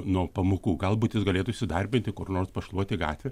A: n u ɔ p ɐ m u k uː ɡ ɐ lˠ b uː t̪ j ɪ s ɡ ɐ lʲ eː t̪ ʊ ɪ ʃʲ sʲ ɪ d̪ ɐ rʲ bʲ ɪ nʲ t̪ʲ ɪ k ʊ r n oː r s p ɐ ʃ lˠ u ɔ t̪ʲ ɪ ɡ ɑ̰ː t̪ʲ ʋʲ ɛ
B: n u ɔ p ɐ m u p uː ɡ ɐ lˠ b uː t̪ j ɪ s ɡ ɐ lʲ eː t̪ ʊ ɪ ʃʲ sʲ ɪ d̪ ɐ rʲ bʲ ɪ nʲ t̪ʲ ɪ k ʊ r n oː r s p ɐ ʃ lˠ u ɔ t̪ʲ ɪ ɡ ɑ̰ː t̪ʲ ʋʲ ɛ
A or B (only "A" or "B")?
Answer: A